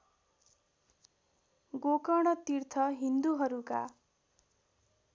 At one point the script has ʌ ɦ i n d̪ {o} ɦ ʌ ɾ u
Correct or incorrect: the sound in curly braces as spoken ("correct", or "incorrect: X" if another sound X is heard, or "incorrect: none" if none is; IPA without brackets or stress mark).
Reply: incorrect: u